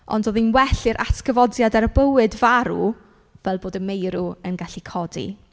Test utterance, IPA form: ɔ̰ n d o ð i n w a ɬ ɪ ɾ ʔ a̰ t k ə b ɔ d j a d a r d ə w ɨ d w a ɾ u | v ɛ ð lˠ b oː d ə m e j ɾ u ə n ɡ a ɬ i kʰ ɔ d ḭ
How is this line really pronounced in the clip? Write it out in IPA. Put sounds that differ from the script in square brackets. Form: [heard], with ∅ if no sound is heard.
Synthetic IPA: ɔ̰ n d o ð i n w [ɛ] ɬ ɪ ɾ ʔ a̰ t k ə [v] ɔ d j a d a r [b] ə w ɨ d [v] a ɾ u | v ɛ [∅] lˠ b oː d ə m e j ɾ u ə n ɡ a ɬ i kʰ ɔ d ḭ